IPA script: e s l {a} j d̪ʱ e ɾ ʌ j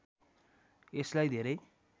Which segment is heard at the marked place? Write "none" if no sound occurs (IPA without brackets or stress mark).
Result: a